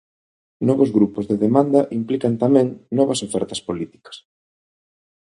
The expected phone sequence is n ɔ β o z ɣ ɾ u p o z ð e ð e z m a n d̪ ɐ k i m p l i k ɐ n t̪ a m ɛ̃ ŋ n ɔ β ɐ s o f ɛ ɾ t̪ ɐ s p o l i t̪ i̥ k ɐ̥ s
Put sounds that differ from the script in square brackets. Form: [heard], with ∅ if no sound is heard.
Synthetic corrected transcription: n ɔ β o z ɣ ɾ u p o z ð e ð e [∅] m a n d̪ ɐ [ʔ] i m p l i k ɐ n t̪ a m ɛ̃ ŋ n ɔ β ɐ s o f ɛ ɾ t̪ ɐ s p o l i t̪ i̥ k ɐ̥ s

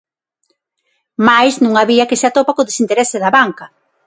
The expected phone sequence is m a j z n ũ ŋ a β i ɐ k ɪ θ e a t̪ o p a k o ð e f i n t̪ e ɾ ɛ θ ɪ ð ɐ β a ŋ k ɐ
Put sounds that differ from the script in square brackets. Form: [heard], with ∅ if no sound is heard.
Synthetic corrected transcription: m a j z n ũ ŋ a β i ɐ k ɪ [s] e a t̪ o p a k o ð e [s] i n t̪ e ɾ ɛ [s] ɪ ð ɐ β a ŋ k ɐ

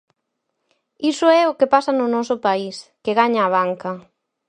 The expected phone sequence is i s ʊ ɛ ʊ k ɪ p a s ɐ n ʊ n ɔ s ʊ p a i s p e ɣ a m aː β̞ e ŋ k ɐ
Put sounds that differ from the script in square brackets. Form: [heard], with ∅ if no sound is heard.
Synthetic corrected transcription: i s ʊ ɛ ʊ k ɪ p a s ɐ n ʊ n ɔ s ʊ p a i s [k] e ɣ a [ɲ] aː β̞ [a] ŋ k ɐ

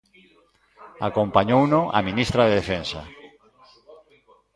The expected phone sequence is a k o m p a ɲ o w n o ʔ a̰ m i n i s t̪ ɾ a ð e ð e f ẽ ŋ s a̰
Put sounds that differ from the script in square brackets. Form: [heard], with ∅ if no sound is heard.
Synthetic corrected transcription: a k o m p a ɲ o w n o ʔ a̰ m i n i s t̪ ɾ a ð e ð e f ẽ [n] s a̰

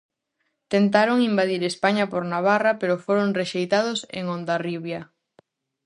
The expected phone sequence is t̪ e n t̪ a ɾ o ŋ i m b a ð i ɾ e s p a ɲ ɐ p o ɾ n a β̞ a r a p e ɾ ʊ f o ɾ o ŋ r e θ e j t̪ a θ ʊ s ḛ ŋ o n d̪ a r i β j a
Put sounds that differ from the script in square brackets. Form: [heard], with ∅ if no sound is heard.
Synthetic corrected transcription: t̪ e n t̪ a ɾ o ŋ i m b a ð i ɾ e s p a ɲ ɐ p o ɾ n a β̞ a r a p e ɾ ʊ f o ɾ o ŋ r e [ʃ] e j t̪ a [ð] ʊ s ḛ ŋ o n d̪ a r i β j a

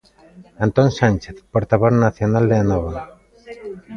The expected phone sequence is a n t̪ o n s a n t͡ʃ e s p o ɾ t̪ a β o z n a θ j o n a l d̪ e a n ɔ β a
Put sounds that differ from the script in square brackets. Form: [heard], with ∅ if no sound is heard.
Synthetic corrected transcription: a n t̪ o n s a n t͡ʃ e [θ] p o ɾ t̪ a β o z n a θ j o n a l d̪ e a n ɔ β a

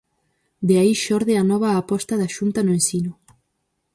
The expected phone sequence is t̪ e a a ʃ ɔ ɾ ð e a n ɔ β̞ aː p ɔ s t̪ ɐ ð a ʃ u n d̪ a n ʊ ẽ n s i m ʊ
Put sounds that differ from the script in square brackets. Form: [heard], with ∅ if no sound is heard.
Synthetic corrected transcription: [d̪] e a [i] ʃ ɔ ɾ ð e a n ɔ β̞ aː p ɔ s t̪ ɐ ð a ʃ u n [t̪] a n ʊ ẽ n s i [n] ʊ

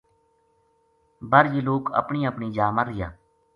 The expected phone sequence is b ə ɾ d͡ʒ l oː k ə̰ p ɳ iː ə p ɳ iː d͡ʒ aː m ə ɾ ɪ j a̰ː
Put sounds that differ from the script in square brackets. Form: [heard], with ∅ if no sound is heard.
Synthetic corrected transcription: b ə ɾ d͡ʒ l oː k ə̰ p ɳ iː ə p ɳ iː d͡ʒ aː m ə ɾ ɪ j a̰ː

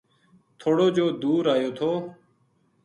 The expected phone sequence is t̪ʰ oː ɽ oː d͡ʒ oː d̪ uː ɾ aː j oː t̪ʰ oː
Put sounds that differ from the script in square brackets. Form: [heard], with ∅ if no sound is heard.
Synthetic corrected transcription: t̪ʰ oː ɽ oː d͡ʒ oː d̪ uː ɾ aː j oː t̪ʰ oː

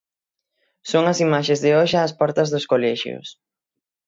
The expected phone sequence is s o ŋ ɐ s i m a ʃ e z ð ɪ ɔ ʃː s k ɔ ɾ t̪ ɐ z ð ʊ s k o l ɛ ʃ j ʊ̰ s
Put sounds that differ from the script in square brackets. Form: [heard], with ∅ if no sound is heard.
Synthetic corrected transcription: s o ŋ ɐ s i m a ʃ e z ð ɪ ɔ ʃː s [p] ɔ ɾ t̪ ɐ z ð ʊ s k o l ɛ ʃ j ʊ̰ s

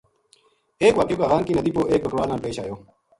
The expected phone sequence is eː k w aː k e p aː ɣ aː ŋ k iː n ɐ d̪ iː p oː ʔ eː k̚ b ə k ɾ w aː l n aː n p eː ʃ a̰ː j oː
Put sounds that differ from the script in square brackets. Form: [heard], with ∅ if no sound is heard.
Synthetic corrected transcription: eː k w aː k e [k] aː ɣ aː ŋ k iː n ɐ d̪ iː p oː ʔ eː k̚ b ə k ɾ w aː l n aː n p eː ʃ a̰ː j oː

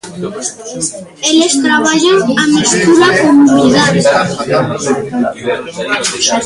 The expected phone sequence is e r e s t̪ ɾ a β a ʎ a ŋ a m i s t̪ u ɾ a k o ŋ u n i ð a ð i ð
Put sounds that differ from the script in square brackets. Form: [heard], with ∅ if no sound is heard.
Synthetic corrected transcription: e [l] e s t̪ ɾ a β a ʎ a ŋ a m i s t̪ u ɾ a k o [m] u n i ð a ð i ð

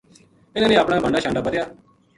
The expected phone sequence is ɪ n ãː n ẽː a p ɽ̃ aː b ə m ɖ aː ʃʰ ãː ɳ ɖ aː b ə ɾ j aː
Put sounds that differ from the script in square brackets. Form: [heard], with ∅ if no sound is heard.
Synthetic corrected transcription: ɪ n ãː n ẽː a p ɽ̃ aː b ə [ɳ] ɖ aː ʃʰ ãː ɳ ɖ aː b ə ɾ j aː

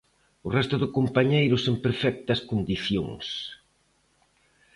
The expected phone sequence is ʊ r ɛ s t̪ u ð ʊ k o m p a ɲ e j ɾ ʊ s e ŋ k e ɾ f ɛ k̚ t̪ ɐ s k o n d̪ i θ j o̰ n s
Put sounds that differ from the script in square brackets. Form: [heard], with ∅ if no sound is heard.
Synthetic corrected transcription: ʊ r ɛ s t̪ [ʊ] ð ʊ k o m p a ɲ e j ɾ ʊ s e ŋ [p] e ɾ f ɛ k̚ t̪ ɐ s k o n d̪ i θ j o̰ [ŋ] s

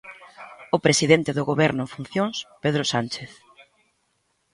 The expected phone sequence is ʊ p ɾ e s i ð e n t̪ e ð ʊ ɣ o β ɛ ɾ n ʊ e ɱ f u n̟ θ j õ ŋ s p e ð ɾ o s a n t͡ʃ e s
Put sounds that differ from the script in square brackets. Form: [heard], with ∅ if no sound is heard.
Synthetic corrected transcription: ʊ p ɾ e s i ð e n t̪ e ð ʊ ɣ o β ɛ ɾ n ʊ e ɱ f u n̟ θ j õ ŋ s p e ð ɾ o s a n t͡ʃ e [θ]

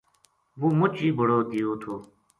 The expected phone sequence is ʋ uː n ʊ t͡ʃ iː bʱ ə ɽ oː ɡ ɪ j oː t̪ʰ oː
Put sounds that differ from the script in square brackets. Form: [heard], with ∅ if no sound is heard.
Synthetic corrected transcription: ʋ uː [m] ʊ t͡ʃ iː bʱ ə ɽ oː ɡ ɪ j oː t̪ʰ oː

